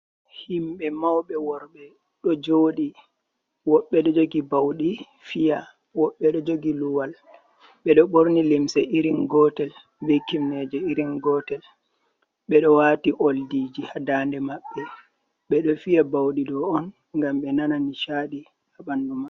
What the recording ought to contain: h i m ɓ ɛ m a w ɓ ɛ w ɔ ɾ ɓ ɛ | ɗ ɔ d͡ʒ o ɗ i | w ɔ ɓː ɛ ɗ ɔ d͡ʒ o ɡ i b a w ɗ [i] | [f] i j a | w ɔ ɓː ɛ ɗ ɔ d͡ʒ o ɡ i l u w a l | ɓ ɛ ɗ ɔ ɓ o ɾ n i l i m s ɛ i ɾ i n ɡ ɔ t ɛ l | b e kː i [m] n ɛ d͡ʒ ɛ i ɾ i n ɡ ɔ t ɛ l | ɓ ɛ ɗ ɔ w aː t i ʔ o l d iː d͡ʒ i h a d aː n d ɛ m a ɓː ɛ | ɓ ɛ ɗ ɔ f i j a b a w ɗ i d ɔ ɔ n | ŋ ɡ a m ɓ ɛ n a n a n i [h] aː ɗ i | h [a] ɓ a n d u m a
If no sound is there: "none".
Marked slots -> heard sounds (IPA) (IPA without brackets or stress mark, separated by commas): i, f, m, ʃ, a